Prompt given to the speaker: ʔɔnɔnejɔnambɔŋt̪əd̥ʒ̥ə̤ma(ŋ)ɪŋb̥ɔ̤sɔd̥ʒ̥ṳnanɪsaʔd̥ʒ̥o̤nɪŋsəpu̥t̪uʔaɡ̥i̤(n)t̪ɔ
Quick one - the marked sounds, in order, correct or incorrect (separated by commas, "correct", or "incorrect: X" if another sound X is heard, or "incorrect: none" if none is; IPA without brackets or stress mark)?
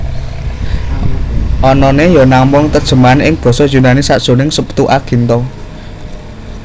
incorrect: n, correct